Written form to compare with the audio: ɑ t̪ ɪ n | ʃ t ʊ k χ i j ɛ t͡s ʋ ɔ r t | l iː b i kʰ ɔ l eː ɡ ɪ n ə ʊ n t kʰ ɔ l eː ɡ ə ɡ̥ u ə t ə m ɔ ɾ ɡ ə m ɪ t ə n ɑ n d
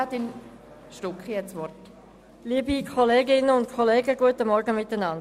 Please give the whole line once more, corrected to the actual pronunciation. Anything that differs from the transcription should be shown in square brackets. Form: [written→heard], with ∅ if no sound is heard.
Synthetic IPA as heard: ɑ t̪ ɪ n | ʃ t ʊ k χ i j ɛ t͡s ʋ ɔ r t | l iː b i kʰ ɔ l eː ɡ ɪ n ə ʊ n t kʰ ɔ l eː ɡ ə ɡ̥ u ə t ə m ɔ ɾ ɡ ə m ɪ t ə n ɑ n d